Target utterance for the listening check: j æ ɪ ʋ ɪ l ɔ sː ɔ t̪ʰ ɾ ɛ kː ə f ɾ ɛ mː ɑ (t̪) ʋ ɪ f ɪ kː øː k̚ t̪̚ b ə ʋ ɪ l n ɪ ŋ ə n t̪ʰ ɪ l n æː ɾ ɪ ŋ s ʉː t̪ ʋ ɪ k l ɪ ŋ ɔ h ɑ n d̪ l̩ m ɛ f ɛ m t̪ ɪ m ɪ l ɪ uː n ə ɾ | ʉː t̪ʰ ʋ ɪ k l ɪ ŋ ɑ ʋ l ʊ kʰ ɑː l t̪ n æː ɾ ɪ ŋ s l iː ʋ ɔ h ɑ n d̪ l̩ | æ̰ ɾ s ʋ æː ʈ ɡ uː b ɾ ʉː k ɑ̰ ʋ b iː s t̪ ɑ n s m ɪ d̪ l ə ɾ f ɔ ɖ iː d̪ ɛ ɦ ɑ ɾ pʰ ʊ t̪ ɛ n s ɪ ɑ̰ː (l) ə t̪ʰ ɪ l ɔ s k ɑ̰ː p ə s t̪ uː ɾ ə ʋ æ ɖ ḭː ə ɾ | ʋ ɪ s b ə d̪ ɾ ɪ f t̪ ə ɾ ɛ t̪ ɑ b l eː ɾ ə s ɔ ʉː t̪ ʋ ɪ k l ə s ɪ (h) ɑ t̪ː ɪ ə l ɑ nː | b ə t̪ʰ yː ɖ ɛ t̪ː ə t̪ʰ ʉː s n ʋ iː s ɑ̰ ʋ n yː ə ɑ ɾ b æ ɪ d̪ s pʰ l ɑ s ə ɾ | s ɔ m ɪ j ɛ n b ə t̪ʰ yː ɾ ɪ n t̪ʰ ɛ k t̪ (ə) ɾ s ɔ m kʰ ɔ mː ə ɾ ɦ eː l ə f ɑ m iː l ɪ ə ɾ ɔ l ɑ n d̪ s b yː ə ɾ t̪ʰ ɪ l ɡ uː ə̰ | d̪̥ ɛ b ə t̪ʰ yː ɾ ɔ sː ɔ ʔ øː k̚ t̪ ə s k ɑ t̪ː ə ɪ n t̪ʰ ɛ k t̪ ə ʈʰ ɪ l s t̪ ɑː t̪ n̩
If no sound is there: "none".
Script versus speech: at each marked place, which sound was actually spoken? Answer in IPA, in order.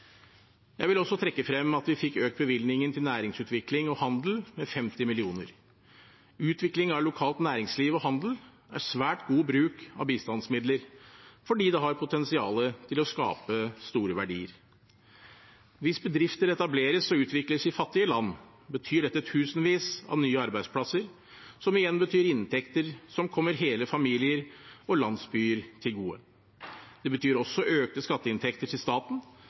t̪, l, f, ə

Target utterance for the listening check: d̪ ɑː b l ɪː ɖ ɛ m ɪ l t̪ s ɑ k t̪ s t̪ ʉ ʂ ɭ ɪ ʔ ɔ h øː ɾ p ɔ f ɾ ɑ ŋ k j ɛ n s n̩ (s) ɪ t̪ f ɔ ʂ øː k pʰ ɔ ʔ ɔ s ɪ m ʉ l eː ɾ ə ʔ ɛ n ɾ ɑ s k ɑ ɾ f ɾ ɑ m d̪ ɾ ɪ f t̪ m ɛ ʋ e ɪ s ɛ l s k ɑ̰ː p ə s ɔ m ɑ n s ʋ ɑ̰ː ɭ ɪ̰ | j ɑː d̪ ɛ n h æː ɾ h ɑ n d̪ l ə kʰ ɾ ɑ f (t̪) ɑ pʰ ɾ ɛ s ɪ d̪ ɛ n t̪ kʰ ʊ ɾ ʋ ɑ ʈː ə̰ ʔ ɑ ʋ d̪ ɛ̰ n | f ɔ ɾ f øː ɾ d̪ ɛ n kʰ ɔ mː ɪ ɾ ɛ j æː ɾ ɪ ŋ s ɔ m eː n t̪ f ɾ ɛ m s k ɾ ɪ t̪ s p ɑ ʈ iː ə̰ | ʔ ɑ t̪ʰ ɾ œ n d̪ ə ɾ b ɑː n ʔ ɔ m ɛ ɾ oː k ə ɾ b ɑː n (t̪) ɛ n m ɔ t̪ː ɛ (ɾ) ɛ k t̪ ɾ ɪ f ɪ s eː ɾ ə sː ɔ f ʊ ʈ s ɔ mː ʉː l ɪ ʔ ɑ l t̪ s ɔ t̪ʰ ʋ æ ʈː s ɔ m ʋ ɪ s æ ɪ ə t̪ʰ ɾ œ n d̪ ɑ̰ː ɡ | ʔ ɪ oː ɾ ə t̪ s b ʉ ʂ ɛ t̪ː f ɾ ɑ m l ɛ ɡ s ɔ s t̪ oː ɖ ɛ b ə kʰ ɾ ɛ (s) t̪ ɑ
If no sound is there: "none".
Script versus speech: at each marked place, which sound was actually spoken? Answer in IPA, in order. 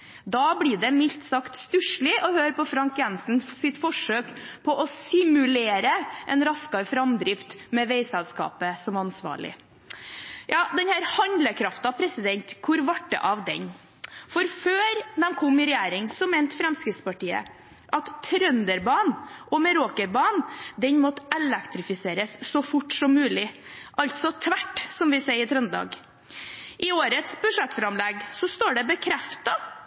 s, t̪, d̪, l, f

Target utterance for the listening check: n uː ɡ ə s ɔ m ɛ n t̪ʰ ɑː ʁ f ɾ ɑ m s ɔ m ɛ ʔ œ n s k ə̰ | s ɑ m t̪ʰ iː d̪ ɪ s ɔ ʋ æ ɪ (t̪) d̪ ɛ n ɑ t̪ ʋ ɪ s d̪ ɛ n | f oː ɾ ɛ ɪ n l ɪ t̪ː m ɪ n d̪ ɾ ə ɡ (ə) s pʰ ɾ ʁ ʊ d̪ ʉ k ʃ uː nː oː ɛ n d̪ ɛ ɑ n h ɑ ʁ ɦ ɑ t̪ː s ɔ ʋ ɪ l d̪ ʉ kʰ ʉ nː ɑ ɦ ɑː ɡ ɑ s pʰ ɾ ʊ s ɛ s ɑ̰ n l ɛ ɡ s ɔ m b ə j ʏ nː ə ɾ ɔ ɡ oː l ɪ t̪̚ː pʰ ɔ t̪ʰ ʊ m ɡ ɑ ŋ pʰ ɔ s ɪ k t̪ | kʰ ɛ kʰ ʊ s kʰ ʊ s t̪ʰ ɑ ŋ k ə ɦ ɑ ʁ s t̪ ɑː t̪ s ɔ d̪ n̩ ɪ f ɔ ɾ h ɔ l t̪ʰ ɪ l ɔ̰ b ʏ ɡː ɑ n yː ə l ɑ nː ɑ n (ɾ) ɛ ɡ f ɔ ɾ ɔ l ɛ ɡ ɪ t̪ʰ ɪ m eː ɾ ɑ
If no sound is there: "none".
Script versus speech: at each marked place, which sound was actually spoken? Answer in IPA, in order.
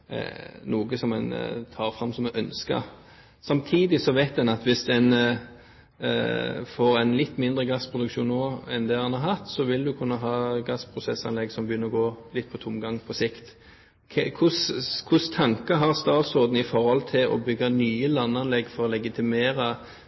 t̪, ɑ, l

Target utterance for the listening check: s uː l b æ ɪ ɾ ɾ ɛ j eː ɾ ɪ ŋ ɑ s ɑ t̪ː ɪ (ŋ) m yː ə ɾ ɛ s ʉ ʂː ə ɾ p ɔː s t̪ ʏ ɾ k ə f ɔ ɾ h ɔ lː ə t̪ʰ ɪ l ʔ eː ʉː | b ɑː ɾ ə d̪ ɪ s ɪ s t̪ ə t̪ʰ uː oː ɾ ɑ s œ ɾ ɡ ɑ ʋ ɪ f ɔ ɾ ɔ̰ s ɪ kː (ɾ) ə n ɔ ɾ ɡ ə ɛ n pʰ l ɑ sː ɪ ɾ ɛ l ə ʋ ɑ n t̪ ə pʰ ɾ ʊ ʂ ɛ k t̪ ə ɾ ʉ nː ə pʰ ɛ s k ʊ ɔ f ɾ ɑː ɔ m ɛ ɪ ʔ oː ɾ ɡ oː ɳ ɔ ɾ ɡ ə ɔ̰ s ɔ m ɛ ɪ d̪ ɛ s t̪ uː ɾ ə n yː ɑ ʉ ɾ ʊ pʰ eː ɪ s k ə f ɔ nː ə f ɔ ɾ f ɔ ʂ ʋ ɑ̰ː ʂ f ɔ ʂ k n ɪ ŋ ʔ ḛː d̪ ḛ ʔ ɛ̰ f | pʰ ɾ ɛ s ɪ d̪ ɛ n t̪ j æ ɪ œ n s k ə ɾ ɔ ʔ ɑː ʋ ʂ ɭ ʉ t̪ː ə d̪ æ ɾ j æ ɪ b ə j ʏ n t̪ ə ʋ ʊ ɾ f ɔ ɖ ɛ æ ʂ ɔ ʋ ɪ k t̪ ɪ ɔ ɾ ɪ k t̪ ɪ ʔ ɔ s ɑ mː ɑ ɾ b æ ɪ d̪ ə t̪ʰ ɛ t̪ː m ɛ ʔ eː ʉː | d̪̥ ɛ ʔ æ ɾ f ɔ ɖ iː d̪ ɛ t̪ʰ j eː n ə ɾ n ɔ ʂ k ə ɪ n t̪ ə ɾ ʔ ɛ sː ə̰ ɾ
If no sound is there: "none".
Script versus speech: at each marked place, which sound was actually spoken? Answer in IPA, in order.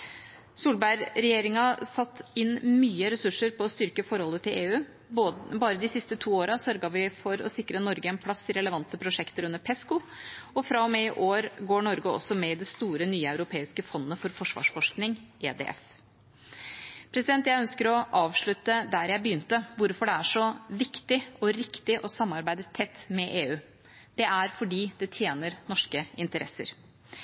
n, ɾ

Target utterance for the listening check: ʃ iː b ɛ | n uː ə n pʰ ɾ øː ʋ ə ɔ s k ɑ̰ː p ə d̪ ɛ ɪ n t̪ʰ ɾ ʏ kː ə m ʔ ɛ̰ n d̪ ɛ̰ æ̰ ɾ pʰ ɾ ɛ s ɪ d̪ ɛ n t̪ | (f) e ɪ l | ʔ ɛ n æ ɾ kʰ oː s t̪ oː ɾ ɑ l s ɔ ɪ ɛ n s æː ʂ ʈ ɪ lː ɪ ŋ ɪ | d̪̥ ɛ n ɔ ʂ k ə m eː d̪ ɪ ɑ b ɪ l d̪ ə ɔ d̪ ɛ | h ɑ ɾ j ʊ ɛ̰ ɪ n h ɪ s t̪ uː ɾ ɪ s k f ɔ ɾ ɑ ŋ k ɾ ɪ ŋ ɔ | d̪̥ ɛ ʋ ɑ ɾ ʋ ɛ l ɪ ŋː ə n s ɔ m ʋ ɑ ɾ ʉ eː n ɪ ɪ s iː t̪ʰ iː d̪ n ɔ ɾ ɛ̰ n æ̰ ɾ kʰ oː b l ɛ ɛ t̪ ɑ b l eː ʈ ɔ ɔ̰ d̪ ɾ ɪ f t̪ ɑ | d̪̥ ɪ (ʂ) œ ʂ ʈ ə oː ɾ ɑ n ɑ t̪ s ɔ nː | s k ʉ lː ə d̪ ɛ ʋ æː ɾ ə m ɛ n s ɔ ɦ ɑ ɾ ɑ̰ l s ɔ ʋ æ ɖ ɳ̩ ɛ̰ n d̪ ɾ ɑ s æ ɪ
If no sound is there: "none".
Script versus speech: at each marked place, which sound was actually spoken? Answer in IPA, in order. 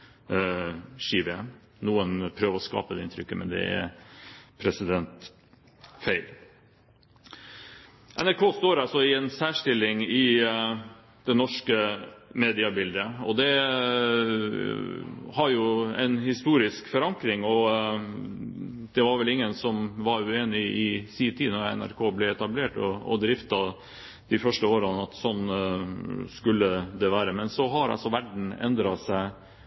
f, f

